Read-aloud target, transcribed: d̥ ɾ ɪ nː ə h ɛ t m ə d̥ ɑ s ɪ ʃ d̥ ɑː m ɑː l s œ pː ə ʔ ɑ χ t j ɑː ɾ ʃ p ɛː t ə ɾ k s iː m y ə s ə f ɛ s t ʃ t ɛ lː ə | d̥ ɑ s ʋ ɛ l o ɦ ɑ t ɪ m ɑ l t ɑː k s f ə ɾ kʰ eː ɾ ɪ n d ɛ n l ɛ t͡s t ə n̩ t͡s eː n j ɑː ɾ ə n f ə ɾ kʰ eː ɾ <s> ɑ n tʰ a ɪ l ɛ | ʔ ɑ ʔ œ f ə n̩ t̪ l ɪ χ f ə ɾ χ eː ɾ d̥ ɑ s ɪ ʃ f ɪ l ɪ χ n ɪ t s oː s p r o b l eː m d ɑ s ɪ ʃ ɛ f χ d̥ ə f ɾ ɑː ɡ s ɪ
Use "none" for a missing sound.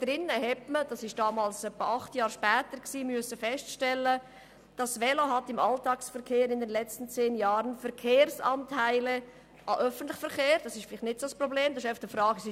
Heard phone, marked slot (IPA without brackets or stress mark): s